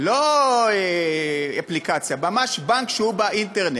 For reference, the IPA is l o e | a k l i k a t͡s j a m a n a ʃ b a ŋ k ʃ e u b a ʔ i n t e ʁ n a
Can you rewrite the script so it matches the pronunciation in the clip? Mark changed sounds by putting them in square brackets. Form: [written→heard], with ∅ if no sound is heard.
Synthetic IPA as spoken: l o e | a [k→p] l i k a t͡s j a m a [n→m] a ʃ b a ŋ k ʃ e u b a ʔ i n t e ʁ n [a→e]